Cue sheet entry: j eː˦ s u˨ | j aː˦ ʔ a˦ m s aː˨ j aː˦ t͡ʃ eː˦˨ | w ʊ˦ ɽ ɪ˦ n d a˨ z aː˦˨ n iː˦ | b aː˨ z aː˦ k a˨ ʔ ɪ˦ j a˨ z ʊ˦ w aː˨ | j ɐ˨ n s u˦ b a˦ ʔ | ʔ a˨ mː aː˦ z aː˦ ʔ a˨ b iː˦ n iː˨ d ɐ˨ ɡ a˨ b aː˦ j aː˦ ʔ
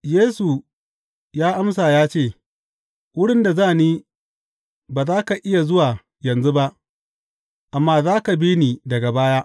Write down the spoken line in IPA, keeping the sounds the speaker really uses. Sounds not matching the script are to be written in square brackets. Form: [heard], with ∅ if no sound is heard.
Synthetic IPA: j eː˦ s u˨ | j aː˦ ʔ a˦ m s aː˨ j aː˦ t͡ʃ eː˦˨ | w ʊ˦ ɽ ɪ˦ n d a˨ z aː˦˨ n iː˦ | b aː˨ z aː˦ k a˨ ʔ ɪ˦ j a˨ z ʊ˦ w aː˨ | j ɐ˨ n [z] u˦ b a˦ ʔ | ʔ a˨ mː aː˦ z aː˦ [k] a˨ b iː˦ n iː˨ d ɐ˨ ɡ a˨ b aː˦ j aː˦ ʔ

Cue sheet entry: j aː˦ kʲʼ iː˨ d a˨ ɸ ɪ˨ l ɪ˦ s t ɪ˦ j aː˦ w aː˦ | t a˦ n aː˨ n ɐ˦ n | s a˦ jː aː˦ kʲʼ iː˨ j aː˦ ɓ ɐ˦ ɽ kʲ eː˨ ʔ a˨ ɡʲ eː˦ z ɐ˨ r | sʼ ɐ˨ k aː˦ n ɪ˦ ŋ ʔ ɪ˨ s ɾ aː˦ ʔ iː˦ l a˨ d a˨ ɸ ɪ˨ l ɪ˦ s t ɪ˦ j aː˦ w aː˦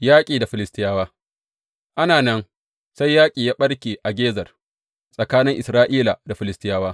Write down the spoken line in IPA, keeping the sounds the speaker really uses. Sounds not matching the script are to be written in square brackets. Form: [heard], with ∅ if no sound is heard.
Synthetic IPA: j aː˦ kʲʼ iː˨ d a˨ ɸ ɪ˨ l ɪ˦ s t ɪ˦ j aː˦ w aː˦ | [ʔ] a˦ n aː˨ n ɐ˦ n | s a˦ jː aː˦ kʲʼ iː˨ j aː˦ ɓ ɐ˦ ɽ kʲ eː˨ ʔ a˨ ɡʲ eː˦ z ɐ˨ r | sʼ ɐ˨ k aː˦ n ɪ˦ ŋ ʔ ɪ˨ s ɾ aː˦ ʔ iː˦ l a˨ d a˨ ɸ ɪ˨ l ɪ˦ s t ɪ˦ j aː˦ w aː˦

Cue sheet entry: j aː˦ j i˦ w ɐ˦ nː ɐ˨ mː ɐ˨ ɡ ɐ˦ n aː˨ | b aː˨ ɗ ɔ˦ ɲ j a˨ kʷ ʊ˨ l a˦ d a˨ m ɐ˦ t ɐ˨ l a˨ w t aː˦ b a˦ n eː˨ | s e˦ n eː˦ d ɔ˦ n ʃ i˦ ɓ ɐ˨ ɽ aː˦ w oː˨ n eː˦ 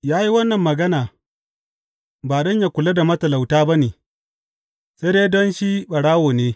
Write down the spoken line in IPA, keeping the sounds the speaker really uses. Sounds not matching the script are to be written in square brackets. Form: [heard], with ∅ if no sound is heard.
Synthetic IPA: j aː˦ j i˦ w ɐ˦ nː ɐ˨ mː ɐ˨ ɡ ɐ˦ n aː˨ | b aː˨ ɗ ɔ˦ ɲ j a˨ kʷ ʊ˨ l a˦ d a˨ m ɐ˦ t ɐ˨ l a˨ w t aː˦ b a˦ n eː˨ | s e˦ [d] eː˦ d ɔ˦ n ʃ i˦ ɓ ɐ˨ ɽ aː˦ w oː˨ n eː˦

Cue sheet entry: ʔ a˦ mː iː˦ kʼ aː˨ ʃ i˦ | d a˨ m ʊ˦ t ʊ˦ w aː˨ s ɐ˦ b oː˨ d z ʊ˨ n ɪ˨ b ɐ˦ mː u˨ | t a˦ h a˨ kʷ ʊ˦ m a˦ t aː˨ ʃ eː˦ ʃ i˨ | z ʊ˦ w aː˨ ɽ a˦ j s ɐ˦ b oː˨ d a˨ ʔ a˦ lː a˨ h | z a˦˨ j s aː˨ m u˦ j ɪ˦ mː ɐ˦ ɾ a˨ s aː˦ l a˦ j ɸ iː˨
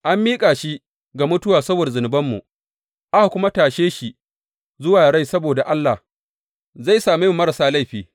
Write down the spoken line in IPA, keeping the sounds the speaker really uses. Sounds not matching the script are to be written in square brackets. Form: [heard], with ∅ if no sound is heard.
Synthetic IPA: ʔ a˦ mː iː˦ kʼ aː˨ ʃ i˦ | [ɡ] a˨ m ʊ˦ t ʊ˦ w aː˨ s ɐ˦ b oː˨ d z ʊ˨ n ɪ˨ b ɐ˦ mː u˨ | [ʔ] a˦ h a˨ kʷ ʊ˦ m a˦ t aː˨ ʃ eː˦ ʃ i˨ | z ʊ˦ w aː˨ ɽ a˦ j s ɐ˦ b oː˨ d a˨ ʔ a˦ lː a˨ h | z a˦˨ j s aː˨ m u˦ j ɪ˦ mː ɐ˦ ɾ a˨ s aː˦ l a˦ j ɸ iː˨

